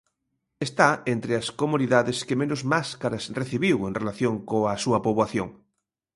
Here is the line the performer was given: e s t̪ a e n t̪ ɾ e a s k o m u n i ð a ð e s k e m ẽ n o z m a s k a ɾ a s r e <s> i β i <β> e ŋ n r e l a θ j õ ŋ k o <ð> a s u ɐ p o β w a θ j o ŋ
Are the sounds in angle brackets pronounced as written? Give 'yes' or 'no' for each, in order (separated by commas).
no, no, no